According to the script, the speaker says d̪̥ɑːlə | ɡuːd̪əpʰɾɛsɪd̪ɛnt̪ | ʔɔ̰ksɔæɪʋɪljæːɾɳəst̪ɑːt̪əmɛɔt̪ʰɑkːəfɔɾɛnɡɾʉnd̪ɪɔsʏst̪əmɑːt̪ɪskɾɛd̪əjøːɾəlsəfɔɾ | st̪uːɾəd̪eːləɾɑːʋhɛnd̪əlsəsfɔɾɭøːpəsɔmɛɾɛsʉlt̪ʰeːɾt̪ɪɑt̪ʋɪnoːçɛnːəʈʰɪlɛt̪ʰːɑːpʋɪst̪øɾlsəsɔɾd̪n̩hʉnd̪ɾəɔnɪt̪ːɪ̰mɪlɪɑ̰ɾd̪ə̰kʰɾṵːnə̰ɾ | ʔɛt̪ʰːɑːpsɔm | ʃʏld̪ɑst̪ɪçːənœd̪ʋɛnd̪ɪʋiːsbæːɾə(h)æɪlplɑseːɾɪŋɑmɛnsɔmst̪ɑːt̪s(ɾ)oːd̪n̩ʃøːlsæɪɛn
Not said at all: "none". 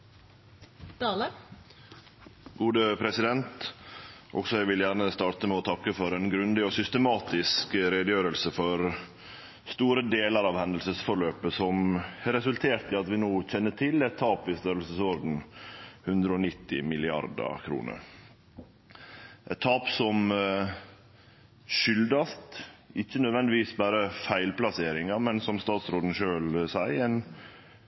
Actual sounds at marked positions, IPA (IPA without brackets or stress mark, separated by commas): f, ɾ